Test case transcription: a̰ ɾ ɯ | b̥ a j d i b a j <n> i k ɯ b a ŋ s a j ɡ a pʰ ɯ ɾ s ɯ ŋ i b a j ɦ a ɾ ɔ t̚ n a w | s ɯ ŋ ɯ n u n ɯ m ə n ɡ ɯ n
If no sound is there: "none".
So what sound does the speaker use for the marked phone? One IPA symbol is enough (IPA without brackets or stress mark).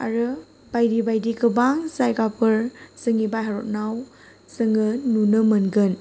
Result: d